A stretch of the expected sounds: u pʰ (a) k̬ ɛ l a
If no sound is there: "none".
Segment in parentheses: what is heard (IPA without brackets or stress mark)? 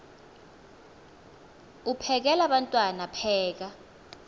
ɛ